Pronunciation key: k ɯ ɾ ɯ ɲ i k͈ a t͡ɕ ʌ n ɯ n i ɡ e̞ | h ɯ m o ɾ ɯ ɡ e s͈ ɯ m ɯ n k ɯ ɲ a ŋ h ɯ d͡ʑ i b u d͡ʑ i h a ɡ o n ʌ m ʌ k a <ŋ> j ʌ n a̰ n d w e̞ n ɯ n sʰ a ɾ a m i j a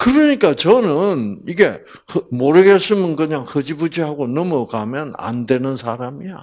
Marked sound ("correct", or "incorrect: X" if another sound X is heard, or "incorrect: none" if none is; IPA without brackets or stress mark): incorrect: m